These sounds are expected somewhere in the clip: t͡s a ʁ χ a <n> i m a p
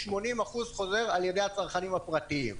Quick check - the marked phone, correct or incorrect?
correct